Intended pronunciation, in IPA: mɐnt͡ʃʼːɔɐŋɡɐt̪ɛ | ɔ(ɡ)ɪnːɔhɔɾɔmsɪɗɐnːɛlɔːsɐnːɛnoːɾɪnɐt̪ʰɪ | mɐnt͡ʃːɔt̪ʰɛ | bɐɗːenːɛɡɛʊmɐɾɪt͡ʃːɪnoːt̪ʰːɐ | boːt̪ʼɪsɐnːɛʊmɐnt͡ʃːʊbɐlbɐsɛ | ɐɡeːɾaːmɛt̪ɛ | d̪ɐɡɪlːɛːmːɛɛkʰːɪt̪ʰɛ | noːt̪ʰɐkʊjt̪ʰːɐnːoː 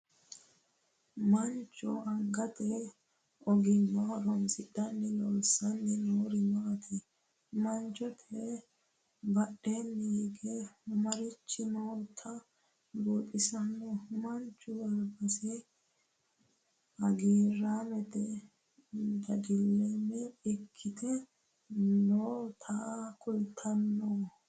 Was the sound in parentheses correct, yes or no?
yes